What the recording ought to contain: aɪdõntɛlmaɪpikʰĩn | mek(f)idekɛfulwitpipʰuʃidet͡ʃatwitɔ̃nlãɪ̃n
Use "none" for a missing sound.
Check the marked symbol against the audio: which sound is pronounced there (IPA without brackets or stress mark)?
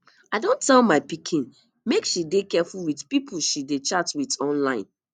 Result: ʃ